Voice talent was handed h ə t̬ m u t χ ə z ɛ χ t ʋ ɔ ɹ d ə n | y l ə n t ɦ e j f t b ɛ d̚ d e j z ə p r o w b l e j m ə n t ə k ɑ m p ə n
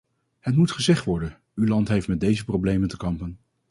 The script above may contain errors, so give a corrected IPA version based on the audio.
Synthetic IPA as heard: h ə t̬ m u t χ ə z ɛ χ t ʋ ɔ ɹ d ə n | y l ɑ n t ɦ e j f t m ɛ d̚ d e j z ə p r o w b l e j m ə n t ə k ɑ m p ə n